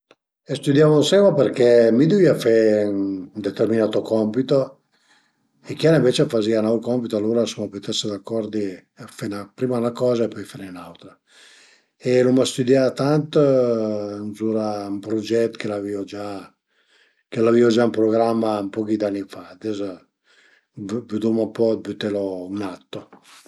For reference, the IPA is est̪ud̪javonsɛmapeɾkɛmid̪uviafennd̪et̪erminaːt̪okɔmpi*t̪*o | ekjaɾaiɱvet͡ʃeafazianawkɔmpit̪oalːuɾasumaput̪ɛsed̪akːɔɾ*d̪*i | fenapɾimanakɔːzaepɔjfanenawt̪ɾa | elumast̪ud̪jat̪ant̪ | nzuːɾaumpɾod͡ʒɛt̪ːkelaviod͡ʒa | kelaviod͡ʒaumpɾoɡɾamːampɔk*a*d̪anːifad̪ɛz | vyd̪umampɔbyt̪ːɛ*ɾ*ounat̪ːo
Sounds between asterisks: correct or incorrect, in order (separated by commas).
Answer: correct, correct, incorrect, incorrect